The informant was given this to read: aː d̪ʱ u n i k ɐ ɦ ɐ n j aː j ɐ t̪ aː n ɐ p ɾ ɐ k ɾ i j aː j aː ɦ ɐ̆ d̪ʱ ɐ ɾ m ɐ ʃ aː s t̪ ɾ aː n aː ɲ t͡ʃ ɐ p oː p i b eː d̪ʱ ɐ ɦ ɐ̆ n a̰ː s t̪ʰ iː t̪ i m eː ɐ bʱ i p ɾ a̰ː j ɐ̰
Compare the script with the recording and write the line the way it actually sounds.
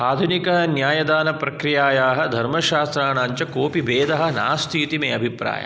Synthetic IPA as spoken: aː d̪ʱ u n i k ɐ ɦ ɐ n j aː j ɐ d̪ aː n ɐ p ɾ ɐ k ɾ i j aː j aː ɦ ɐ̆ d̪ʱ ɐ ɾ m ɐ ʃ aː s t̪ ɾ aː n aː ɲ t͡ʃ ɐ k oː p i b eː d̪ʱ ɐ ɦ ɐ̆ n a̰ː s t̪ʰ iː t̪ i m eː ɐ bʱ i p ɾ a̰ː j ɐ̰